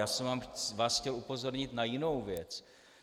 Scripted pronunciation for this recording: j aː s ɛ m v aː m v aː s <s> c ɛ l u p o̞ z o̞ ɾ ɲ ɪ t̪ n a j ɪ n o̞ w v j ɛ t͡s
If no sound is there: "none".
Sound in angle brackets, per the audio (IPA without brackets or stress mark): x